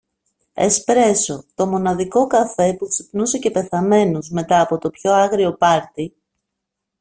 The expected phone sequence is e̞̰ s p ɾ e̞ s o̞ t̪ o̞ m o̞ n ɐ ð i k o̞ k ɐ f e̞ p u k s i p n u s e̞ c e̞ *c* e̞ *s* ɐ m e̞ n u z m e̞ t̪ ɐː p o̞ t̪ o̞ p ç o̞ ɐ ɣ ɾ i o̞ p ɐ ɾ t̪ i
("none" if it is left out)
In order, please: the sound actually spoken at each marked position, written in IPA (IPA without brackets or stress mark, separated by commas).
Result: p, θ